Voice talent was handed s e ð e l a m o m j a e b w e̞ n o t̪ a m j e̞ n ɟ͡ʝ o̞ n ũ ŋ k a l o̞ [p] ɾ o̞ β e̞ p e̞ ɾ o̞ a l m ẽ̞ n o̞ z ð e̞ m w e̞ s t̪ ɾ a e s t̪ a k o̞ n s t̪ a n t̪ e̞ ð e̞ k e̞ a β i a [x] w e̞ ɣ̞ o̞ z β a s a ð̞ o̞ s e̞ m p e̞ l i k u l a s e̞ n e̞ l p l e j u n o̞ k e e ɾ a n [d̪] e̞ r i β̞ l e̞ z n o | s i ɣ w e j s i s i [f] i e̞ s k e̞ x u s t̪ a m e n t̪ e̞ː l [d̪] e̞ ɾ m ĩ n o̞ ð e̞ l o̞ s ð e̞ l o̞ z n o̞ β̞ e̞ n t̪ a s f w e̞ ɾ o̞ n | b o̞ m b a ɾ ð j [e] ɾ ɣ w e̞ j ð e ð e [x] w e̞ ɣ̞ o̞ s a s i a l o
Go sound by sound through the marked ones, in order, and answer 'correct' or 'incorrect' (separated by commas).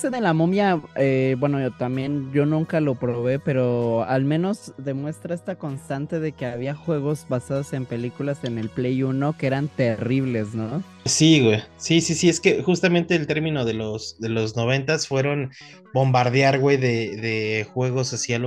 correct, correct, incorrect, incorrect, incorrect, incorrect, correct